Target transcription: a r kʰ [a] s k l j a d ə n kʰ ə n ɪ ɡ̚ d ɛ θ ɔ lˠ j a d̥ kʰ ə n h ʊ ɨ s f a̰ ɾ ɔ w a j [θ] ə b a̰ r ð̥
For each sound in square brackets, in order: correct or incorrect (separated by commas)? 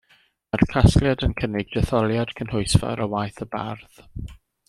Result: correct, correct